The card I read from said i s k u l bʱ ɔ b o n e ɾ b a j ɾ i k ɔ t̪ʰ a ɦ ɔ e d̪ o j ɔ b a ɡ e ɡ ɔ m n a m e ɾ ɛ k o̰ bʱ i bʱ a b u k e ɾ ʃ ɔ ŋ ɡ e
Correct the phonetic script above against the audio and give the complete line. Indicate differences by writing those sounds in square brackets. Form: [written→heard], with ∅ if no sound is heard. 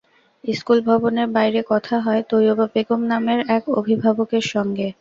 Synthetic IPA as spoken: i s k u l bʱ ɔ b o n e ɾ b a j ɾ [i→e] k ɔ t̪ʰ a ɦ ɔ e [d̪→t̪] o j [ɔ→o] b a [ɡ→b] e ɡ [ɔ→o] m n a m e ɾ ɛ k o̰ bʱ i bʱ a b [u→o] k e ɾ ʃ ɔ ŋ ɡ e